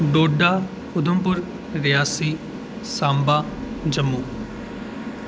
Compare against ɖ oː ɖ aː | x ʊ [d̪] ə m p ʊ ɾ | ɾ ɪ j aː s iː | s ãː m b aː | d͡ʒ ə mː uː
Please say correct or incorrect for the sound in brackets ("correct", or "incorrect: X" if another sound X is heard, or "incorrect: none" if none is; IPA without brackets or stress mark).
correct